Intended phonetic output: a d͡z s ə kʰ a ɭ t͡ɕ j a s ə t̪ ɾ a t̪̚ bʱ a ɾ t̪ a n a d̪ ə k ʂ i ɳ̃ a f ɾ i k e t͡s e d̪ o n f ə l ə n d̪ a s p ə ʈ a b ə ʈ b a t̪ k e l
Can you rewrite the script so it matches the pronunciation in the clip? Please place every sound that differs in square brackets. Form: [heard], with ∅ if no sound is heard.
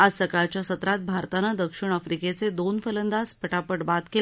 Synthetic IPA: a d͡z s ə [k] a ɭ t͡ɕ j a s ə t̪ ɾ a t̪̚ bʱ a ɾ t̪ a n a d̪ ə k ʂ i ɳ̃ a f ɾ i k e t͡s e d̪ o n f ə l ə n d̪ a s p ə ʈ a [p] ə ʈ b a t̪ k e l

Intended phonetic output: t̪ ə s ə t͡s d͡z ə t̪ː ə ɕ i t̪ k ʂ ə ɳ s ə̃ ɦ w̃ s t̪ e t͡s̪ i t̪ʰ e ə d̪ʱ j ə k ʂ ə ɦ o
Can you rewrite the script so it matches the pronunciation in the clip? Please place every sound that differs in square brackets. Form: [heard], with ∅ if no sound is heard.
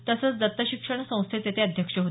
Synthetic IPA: t̪ ə s ə t͡s d͡z ə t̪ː ə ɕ i [∅] k ʂ ə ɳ s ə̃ [∅] w̃ s [t̪ʰ] e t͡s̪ [e] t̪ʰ e ə d̪ʱ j ə k ʂ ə ɦ o

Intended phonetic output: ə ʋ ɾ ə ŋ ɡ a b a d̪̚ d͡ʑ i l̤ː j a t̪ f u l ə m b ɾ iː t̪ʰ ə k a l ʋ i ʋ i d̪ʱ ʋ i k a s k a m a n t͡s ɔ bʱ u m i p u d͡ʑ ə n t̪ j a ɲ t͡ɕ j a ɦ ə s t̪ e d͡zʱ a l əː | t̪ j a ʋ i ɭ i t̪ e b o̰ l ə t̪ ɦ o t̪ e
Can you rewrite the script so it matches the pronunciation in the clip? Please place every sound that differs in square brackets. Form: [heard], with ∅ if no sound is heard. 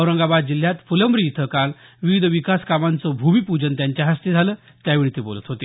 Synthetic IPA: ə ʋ ɾ ə ŋ ɡ a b a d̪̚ d͡ʑ i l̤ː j a t̪ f u l ə m b ɾ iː t̪ʰ ə k a l ʋ i ʋ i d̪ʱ ʋ i k a s k a m a n t͡s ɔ bʱ u m i p u d͡ʑ ə n t̪ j a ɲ t͡ɕ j a ɦ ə s t̪ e d͡zʱ a l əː | t̪ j a ʋ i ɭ i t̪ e b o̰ l ə t̪ ɦ o t̪ e

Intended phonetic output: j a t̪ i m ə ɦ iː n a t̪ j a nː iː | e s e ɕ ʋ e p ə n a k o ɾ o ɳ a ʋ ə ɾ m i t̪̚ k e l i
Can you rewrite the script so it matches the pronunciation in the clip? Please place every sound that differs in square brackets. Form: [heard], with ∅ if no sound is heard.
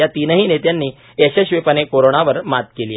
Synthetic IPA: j a t̪ i [n] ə ɦ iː n [e] t̪ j a nː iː | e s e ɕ ʋ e p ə n [e] k o ɾ o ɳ a ʋ ə ɾ m [a] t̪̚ k e l i

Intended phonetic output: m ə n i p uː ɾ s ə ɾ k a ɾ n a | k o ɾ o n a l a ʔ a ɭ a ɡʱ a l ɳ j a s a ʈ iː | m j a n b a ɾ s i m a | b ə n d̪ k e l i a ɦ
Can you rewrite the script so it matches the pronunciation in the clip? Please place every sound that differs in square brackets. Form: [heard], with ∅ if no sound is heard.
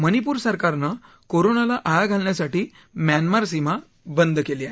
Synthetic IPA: m ə n i p uː ɾ s ə ɾ k a ɾ n a | k o ɾ o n a l a ʔ a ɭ a ɡʱ a l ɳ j a s a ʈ iː | m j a n [m] a ɾ s i m a | b ə n d̪ k e l i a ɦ

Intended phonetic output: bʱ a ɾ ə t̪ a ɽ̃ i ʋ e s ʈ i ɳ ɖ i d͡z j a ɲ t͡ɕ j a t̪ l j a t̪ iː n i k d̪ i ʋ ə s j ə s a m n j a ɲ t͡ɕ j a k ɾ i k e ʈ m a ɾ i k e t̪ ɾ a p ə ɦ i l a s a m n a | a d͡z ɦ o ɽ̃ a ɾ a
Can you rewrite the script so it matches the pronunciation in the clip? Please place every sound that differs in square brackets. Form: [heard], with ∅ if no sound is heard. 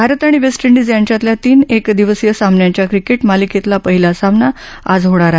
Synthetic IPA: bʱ a ɾ ə t̪ a ɽ̃ i ʋ e s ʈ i ɳ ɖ i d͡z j a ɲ t͡ɕ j a t̪ l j a t̪ iː n [e] k d̪ i ʋ ə s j ə s a m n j a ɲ t͡ɕ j a k ɾ i k e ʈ m a [l] i k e t̪ [l] a p ə ɦ i l a s a m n a | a d͡z ɦ o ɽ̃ a ɾ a

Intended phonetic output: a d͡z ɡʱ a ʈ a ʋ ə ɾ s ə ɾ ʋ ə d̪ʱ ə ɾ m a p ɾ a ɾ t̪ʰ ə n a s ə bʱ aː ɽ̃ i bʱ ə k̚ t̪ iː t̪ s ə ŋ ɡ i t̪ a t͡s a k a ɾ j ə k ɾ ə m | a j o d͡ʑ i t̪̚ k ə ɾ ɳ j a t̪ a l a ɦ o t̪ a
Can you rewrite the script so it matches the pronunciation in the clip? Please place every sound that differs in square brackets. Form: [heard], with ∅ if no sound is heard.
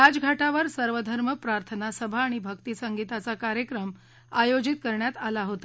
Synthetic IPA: a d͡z ɡʱ a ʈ a ʋ ə ɾ s ə ɾ ʋ ə d̪ʱ ə ɾ m [ə] p ɾ a ɾ t̪ʰ ə n a s ə bʱ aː ɽ̃ i bʱ ə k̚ t̪ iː [∅] s ə ŋ ɡ i t̪ a t͡s a k a ɾ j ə k ɾ ə m | a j o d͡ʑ i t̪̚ k ə ɾ ɳ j a t̪ a l a ɦ o t̪ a

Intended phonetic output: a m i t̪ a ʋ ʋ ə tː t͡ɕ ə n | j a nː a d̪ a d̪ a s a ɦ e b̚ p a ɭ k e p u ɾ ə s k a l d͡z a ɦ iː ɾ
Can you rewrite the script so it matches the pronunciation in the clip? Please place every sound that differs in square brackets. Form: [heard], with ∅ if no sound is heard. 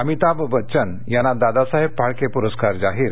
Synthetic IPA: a m i t̪ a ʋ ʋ ə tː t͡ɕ ə n | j a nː a d̪ a d̪ a s a ɦ e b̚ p a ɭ k e p u ɾ ə s k a [ɾ] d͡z a ɦ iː ɾ

